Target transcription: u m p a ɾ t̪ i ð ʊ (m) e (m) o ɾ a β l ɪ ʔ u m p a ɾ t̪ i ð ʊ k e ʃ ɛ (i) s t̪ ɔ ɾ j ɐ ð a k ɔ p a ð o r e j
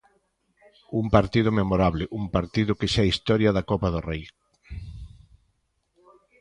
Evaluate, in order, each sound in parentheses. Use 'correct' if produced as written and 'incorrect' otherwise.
correct, correct, correct

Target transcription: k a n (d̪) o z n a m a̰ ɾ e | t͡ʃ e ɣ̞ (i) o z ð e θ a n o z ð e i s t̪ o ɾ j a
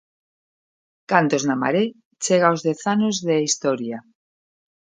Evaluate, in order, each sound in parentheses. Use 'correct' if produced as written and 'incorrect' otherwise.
incorrect: t̪, incorrect: a

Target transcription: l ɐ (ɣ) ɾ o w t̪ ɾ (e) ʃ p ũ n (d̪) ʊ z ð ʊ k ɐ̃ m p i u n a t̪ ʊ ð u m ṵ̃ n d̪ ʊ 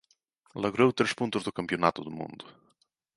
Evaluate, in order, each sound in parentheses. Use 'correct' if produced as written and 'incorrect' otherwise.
correct, correct, incorrect: t̪

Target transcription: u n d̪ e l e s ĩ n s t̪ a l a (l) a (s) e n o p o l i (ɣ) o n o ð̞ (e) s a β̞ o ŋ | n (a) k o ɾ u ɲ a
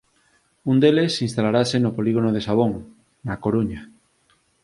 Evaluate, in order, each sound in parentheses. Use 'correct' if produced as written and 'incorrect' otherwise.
incorrect: ɾ, correct, correct, correct, correct

